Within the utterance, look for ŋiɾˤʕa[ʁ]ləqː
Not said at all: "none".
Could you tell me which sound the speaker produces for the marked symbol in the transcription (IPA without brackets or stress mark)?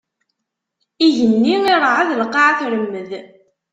ð